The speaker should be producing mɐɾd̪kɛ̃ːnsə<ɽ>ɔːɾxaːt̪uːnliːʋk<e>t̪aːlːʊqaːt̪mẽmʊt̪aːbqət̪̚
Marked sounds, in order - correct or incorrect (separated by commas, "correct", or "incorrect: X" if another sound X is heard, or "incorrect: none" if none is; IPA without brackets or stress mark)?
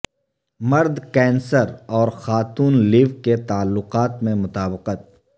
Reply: incorrect: ɾ, correct